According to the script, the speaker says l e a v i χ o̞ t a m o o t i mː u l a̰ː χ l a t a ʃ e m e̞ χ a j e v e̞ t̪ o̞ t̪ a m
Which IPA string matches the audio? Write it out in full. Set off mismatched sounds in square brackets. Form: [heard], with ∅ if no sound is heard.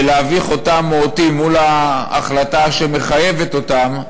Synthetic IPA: l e a v i χ o̞ t a m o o t i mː u l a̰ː χ l a t a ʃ e m e̞ χ a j e v e̞ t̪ o̞ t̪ a m